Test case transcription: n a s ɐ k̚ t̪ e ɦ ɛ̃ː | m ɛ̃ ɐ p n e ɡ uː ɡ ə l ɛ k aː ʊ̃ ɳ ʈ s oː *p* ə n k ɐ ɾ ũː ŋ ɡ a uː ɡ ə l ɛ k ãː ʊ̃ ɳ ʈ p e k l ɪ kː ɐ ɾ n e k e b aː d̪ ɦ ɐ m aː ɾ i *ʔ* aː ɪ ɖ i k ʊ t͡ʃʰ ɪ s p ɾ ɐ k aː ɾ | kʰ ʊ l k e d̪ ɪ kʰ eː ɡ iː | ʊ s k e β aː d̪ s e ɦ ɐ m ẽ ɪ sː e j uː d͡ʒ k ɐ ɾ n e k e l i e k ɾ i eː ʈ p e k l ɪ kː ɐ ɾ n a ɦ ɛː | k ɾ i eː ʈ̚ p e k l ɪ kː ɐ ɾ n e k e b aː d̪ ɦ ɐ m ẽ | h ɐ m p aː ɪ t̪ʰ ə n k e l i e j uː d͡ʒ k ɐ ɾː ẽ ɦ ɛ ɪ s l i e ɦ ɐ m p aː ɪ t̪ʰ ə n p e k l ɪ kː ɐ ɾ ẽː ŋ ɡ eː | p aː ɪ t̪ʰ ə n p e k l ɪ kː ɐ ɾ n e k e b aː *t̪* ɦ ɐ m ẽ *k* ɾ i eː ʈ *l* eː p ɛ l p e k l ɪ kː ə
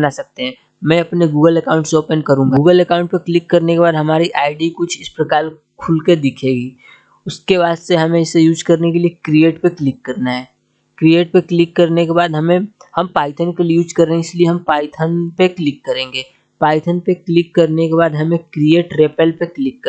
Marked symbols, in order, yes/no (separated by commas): yes, yes, no, yes, no